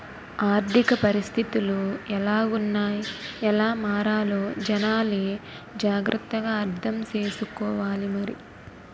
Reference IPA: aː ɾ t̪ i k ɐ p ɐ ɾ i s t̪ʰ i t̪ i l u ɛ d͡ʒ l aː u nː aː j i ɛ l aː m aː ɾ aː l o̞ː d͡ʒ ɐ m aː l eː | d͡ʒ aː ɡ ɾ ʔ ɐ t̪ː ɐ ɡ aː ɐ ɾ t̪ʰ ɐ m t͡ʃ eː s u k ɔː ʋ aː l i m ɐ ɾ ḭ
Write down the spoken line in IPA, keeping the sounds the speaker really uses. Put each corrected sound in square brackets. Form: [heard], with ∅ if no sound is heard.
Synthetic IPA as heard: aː ɾ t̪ i k ɐ p ɐ ɾ i s t̪ʰ i t̪ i l u ɛ [∅] l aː u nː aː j i ɛ l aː m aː ɾ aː l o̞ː d͡ʒ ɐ [n] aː l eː | d͡ʒ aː ɡ ɾ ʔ ɐ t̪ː ɐ ɡ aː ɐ ɾ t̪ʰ ɐ m t͡ʃ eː s u k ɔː ʋ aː l i m ɐ ɾ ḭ